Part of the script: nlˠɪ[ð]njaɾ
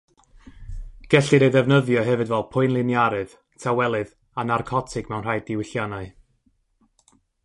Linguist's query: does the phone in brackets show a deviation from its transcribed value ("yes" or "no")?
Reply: yes